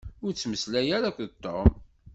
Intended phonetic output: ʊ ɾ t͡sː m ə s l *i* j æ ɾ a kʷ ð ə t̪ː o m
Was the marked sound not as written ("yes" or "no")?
yes